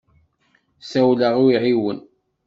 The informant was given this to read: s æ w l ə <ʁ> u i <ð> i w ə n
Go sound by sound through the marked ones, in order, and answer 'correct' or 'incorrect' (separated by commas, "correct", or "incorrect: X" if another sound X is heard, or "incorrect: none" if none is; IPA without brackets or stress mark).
correct, incorrect: ʕ